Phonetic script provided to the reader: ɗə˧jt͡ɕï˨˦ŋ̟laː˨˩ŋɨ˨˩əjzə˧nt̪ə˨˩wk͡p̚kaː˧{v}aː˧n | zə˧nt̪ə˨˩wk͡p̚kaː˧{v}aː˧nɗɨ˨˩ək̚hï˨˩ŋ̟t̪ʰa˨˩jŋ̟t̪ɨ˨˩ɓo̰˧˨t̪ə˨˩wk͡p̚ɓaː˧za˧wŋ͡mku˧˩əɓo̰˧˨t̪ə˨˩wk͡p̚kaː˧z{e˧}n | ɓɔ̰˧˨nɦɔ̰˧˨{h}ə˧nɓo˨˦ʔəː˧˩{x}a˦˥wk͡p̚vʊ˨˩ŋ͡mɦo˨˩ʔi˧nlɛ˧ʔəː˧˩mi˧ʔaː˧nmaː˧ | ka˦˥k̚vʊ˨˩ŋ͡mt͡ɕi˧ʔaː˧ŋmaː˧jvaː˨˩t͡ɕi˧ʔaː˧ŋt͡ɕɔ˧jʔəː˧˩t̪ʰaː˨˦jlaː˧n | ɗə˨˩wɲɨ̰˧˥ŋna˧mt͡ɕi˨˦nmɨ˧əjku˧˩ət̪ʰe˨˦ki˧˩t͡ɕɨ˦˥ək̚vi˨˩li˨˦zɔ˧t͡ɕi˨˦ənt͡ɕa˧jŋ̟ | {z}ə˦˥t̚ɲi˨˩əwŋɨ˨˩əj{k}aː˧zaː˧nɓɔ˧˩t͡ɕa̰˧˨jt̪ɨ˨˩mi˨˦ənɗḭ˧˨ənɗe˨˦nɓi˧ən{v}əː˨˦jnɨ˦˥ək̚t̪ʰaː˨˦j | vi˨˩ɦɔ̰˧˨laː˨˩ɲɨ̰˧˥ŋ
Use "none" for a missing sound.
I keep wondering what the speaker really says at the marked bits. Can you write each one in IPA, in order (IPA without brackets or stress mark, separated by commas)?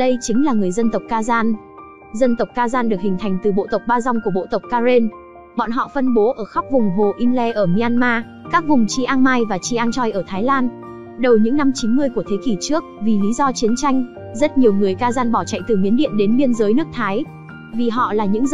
z, z, e˧, f, x, z, k, z